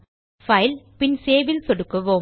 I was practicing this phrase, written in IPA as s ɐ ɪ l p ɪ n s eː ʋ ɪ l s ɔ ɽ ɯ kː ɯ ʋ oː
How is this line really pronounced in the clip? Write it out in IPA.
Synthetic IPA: f ɐ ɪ l p ɪ n s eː ʋ ɪ l s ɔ ɽ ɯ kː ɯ ʋ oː